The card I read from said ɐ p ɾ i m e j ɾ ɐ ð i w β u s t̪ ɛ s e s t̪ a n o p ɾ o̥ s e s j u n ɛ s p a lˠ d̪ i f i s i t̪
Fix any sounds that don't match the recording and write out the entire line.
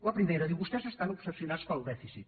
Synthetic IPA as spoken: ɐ p ɾ i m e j ɾ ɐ ð i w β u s t̪ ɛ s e s t̪ a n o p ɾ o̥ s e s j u n a s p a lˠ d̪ ɛ f i s i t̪